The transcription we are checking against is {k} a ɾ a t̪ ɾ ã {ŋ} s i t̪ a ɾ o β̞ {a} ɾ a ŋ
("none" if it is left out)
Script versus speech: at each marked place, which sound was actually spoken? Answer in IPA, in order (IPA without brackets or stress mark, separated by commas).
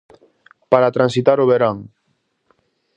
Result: p, n, e